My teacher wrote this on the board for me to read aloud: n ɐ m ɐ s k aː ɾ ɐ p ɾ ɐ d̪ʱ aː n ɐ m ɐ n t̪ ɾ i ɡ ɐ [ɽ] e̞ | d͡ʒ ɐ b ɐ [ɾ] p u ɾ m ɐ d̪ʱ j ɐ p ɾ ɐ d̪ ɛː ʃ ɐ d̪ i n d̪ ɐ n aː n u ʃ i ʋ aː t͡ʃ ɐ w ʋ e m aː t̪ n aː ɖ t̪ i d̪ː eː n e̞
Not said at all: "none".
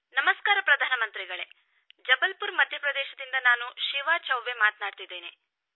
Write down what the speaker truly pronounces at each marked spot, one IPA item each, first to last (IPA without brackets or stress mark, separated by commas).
ɭ, l